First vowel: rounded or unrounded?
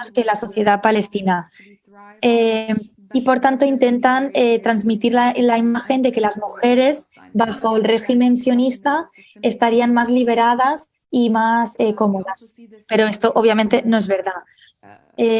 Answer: unrounded